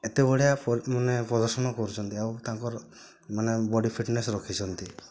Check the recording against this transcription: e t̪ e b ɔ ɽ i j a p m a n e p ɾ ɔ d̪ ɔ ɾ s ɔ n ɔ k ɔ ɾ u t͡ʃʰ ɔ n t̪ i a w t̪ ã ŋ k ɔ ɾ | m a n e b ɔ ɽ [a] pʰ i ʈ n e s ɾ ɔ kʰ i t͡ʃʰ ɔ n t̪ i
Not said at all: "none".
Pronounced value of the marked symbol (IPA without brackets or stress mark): i